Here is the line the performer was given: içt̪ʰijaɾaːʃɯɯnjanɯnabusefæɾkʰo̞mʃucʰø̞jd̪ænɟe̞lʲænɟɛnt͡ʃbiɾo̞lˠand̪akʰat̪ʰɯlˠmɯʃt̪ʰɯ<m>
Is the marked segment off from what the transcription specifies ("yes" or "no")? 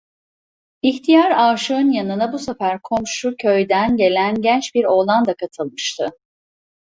yes